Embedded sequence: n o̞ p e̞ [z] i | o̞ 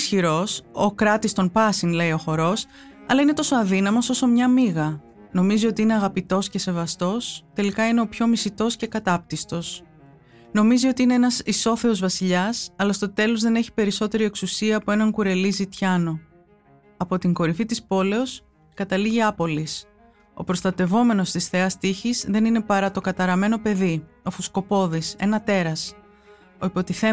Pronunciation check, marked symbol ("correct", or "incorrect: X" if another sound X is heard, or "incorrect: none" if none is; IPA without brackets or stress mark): incorrect: ð